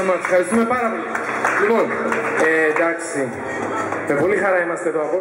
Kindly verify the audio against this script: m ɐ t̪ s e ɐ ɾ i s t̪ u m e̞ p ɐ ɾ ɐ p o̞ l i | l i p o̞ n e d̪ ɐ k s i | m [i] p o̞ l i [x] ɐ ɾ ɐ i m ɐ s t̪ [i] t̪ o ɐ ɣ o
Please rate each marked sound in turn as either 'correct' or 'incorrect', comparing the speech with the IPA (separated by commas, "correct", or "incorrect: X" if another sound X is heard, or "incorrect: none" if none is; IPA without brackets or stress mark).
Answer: incorrect: e, correct, incorrect: e